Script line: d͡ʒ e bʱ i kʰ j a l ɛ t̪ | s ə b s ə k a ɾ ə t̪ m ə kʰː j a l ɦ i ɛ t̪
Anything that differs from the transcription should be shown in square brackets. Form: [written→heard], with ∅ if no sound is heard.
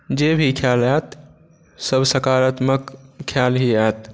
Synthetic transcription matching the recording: d͡ʒ e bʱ i kʰ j a l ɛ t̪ | s ə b s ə k a ɾ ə t̪ m ə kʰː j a l ɦ i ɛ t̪